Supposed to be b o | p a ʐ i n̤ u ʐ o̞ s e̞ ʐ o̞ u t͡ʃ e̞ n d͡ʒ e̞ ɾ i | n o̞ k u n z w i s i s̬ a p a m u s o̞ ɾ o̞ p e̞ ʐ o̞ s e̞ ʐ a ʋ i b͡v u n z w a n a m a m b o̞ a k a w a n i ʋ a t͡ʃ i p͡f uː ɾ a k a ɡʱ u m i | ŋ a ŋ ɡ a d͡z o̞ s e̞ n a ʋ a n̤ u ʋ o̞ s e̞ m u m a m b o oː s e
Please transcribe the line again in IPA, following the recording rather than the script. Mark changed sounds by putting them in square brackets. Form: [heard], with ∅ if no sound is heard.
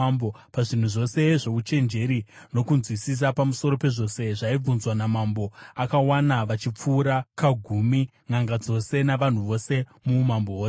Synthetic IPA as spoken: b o | p a ʐ i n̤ u ʐ o̞ s e̞ ʐ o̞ u t͡ʃ e̞ n d͡ʒ e̞ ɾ i | n o̞ k u n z w i s i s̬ a p a m u s o̞ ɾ o̞ p e̞ ʐ o̞ s e̞ ʐ a [∅] i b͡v u n z w a n a m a m b o̞ a k a w a n [a] ʋ a t͡ʃ i p͡f uː ɾ a k a ɡʱ u m i | ŋ a ŋ ɡ a d͡z o̞ s e̞ n a ʋ a n̤ u ʋ o̞ s e̞ m u m a m b o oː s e